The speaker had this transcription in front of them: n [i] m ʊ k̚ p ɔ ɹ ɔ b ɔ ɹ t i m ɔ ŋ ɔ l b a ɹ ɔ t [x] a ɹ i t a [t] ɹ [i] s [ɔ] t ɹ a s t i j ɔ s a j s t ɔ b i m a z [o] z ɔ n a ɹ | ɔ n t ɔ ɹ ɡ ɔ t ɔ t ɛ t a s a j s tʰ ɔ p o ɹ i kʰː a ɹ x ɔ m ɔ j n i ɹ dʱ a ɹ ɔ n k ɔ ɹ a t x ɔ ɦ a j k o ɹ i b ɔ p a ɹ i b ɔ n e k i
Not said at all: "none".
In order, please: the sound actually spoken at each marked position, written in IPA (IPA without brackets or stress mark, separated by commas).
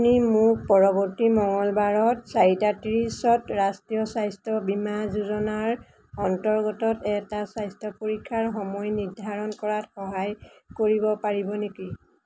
i, s, t, i, ɔ, u